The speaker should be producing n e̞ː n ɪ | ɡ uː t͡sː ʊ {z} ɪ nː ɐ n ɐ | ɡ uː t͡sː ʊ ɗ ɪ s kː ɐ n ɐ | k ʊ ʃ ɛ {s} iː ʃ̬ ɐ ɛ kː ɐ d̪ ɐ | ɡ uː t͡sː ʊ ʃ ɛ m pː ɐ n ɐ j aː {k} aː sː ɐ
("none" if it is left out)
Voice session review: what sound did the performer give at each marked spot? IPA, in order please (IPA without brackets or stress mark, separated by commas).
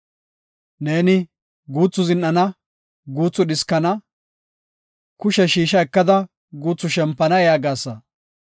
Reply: z, ʃ, ɡ